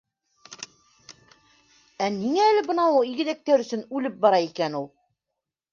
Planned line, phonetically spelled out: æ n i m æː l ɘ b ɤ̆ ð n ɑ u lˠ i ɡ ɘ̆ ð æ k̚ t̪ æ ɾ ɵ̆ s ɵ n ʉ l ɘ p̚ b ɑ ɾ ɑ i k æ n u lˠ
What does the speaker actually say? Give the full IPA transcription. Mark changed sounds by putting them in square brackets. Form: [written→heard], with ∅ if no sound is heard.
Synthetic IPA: æ n i [m→ŋ] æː l ɘ b ɤ̆ [ð→∅] n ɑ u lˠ i ɡ ɘ̆ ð æ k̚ t̪ æ ɾ ɵ̆ s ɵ n ʉ l ɘ p̚ b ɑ ɾ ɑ i k æ n u lˠ